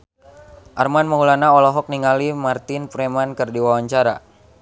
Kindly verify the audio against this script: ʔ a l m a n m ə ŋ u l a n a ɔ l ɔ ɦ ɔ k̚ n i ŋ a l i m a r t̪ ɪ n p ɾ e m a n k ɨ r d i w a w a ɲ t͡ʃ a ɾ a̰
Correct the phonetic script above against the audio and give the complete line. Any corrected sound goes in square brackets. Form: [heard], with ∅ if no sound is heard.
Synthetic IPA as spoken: ʔ a [r] m a n m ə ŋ u l a n a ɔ l ɔ ɦ ɔ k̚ n i ŋ a l i m a r t̪ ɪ n p ɾ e m a n k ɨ r d i w a w a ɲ t͡ʃ a ɾ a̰